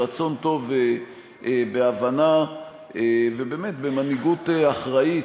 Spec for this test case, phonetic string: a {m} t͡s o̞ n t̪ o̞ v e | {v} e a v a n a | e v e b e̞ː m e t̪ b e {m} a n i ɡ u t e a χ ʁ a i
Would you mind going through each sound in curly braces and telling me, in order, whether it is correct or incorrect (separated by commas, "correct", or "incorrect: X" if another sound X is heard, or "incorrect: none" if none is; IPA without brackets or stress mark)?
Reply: incorrect: none, incorrect: b, correct